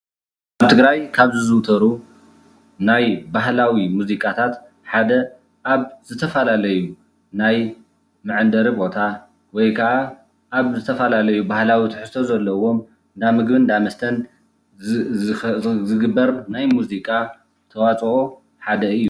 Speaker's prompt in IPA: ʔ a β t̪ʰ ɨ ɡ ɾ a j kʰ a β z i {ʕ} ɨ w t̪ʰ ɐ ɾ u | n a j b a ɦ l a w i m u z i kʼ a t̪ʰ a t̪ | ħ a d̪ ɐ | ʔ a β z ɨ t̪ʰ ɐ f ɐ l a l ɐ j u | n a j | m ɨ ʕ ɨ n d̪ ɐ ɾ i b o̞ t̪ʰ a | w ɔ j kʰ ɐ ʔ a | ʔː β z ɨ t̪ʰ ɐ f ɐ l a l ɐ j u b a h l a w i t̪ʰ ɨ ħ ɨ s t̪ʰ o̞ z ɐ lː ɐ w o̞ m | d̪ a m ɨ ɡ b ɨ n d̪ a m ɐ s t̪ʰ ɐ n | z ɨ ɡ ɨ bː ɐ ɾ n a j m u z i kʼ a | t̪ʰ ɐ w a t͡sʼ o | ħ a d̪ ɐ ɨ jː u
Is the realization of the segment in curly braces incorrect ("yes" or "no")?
yes